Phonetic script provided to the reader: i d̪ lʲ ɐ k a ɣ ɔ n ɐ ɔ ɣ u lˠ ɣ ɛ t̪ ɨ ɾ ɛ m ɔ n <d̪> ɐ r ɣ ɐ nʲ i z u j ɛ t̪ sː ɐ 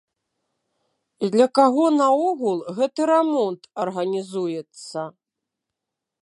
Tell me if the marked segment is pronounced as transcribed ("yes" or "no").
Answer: no